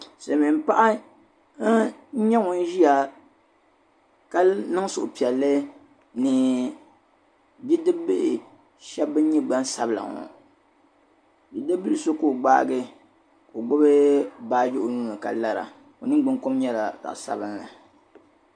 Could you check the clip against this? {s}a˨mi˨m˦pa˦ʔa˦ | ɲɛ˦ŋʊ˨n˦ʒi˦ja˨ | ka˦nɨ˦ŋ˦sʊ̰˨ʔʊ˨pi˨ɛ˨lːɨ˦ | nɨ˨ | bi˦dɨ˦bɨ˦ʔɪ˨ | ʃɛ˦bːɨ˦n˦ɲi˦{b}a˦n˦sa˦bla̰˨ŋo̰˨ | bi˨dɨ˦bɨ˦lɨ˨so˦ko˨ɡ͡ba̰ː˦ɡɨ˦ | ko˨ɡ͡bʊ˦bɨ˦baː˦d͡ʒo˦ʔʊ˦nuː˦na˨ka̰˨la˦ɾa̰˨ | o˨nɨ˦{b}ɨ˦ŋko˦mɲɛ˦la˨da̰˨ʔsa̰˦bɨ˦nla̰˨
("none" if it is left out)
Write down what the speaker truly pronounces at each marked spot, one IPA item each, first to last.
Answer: s, ɡ͡b, ɡ͡b

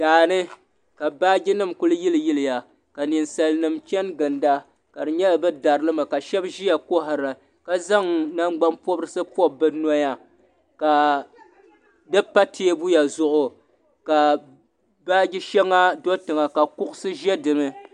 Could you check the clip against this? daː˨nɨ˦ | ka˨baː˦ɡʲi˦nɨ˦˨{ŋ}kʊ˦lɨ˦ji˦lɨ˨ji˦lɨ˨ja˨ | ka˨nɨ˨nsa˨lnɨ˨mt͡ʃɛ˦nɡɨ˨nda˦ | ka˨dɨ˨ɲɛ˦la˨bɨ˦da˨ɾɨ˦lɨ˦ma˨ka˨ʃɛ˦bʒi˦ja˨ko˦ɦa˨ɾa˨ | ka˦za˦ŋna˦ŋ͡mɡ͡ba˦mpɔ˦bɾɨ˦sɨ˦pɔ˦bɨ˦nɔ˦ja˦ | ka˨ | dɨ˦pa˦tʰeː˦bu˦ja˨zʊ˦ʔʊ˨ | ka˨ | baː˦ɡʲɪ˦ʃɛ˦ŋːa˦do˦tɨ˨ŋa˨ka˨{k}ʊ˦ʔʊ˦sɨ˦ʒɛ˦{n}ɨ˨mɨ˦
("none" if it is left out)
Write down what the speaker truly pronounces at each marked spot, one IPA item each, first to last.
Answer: m, k, d

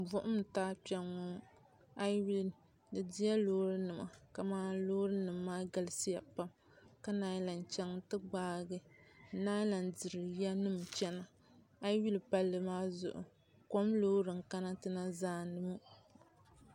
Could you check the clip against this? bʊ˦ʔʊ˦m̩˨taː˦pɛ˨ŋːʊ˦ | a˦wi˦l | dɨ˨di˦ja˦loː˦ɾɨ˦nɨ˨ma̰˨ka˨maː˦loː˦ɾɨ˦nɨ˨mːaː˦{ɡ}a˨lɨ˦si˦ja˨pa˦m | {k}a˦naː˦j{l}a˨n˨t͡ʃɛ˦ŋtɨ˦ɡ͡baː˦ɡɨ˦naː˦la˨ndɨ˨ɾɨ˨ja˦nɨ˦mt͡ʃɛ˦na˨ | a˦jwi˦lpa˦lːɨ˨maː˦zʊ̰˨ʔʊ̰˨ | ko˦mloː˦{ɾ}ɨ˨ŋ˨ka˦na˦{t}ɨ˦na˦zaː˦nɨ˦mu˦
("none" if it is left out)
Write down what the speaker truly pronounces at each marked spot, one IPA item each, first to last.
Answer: ɡ, k, l, ɾ, t

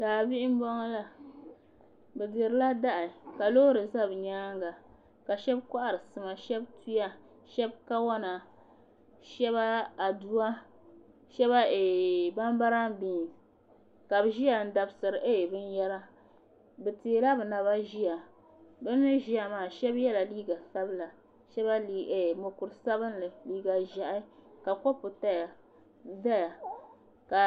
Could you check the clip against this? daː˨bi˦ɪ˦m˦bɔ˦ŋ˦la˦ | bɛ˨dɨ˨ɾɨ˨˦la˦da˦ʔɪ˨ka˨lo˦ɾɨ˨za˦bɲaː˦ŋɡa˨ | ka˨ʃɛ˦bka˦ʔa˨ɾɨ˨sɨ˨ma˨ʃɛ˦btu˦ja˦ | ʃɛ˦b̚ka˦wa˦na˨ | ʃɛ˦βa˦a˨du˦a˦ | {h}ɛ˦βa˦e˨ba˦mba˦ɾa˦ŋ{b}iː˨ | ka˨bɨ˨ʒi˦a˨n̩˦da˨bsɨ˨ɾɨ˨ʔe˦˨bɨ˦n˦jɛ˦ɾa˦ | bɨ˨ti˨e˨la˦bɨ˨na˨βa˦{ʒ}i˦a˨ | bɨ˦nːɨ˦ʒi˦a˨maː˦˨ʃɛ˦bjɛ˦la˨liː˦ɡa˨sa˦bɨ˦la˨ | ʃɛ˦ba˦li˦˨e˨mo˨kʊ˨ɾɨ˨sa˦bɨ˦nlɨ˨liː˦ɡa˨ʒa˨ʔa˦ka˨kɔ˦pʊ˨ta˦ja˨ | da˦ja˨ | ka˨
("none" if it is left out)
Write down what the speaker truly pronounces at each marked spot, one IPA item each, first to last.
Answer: ʃ, b, ʒ

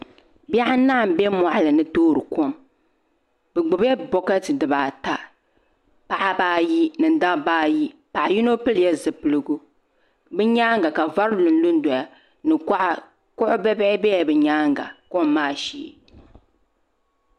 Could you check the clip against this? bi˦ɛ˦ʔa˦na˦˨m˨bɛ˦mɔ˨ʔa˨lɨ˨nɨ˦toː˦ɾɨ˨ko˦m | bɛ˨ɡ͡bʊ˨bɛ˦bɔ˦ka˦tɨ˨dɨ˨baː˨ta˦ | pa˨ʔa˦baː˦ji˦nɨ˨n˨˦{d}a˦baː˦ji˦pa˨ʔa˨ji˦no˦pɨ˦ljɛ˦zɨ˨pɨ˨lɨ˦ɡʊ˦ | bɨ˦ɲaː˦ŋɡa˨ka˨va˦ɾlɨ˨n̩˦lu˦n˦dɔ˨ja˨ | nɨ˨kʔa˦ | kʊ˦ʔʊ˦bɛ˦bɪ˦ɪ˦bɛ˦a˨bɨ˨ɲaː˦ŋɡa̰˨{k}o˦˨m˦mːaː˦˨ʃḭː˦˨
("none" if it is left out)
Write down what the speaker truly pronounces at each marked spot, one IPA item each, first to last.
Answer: d, k

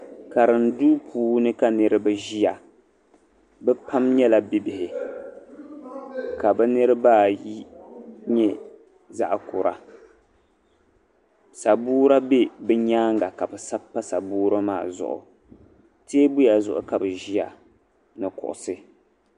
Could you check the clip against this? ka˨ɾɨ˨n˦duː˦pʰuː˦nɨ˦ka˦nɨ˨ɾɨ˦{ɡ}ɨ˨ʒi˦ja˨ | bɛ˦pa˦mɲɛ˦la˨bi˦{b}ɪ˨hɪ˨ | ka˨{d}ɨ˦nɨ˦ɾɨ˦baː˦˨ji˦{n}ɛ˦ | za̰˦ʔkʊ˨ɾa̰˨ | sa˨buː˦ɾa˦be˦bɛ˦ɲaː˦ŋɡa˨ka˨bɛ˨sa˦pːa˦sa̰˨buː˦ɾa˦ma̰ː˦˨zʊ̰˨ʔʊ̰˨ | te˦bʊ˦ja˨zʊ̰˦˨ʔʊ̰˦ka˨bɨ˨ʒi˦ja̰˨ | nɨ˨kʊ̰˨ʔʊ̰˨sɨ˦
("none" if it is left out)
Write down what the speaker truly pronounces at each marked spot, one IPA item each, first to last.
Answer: b, b, b, ɲ

